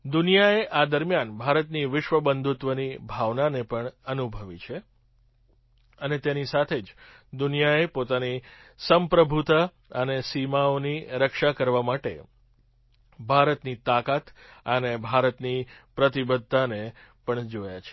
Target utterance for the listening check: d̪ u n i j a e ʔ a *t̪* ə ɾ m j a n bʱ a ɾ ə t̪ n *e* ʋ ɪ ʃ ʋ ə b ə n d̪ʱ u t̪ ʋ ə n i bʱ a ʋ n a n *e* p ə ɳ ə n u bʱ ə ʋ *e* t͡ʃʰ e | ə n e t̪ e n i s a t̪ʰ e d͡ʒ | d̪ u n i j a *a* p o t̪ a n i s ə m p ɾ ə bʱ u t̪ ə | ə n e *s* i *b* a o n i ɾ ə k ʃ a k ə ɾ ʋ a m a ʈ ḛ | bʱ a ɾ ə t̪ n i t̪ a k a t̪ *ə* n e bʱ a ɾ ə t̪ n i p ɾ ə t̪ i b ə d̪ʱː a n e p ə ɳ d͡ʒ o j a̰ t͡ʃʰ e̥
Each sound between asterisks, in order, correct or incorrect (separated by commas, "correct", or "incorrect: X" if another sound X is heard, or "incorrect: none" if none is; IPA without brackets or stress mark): incorrect: d̪, incorrect: i, correct, incorrect: i, incorrect: e, correct, incorrect: m, correct